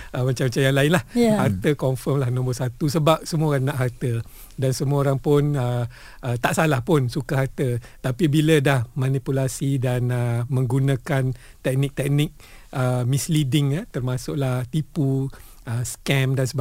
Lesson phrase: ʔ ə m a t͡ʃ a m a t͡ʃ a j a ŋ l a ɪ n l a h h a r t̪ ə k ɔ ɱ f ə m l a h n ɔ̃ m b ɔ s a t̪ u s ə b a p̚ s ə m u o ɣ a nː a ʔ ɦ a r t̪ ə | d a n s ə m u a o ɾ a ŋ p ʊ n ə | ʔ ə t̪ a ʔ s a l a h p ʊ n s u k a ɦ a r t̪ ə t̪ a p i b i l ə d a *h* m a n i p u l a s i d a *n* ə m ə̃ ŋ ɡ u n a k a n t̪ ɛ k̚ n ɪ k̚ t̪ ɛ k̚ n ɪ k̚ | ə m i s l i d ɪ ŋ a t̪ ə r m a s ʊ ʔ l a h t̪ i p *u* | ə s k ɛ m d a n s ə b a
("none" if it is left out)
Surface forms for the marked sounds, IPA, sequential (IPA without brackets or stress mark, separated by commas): h, n, u